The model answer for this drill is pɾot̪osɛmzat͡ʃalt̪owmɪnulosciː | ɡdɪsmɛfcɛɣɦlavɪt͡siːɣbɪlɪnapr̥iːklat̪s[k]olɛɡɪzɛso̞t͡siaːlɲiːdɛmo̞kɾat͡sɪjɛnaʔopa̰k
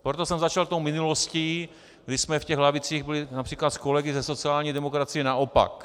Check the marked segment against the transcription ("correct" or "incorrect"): correct